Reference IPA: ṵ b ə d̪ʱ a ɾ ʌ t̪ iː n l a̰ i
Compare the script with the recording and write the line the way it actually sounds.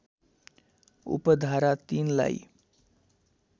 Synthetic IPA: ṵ p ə d̪ʱ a ɾ a t̪ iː n l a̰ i